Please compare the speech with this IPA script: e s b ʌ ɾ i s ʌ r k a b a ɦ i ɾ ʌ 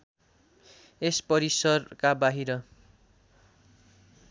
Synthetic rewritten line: e s p ʌ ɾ i s ʌ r k a b a ɦ i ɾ ʌ